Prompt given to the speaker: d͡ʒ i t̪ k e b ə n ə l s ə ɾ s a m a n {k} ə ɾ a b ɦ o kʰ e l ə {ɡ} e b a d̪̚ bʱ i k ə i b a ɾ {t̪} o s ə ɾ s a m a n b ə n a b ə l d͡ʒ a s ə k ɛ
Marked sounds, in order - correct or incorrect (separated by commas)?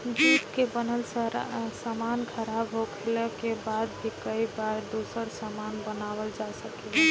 incorrect, incorrect, incorrect